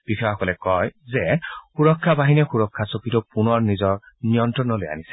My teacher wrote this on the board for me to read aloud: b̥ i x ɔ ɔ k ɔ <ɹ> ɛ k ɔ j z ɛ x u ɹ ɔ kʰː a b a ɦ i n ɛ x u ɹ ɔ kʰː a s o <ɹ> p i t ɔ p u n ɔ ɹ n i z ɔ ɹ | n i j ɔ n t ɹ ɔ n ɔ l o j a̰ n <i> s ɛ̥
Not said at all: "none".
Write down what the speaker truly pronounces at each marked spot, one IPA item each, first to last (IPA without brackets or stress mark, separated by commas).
l, none, i